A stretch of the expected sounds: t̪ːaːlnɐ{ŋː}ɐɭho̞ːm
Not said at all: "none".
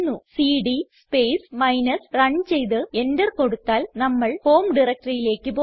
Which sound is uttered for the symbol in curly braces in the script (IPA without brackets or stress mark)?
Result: mː